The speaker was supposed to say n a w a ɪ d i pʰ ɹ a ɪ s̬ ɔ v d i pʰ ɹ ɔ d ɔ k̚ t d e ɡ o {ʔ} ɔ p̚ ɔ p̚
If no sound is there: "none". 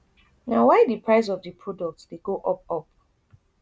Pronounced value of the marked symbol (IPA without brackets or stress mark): ʔ